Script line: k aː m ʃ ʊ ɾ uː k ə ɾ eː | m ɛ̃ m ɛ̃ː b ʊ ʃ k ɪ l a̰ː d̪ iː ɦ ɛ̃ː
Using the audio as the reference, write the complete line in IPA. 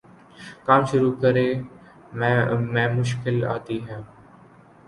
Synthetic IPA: k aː m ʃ ʊ ɾ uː k ə ɾ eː | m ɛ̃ m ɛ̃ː m ʊ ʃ k ɪ l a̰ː t̪ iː ɦ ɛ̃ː